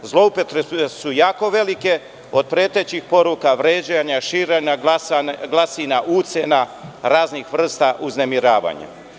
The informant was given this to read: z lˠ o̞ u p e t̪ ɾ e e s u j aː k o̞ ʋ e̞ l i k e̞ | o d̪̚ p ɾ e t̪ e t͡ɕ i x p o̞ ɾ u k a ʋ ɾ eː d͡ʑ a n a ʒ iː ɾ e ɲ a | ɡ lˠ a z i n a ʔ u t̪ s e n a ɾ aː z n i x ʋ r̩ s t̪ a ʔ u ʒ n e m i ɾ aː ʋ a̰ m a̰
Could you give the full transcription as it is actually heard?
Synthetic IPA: z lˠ o̞ u p e t̪ ɾ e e s u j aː k o̞ ʋ e̞ l i k e̞ | o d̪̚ p ɾ e t̪ e t͡ɕ i x p o̞ ɾ u k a ʋ ɾ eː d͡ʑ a ɲ a ʃ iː ɾ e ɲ a | ɡ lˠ a s i n a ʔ u t̪ s e n a ɾ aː z n i x ʋ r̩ s t̪ a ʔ u z n e m i ɾ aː ʋ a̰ ɲ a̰